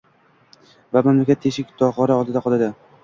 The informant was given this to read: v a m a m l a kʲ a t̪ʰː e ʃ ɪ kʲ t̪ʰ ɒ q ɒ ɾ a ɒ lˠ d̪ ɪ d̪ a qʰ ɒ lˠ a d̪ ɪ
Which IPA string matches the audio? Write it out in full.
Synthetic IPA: v a m a m l a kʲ a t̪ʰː e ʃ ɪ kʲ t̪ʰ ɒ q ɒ ɾ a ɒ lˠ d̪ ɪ d̪ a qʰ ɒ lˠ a d̪ ɪ